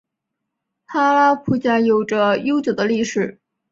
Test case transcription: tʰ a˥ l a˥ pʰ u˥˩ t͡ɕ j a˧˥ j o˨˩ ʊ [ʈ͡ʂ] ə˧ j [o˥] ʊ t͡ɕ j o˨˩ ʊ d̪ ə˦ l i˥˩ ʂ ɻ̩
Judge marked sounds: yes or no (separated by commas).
yes, yes